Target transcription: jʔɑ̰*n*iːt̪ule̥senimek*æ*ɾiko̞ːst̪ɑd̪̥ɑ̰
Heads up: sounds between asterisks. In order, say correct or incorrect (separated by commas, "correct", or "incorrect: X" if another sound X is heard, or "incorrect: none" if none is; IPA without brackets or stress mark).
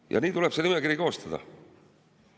correct, incorrect: i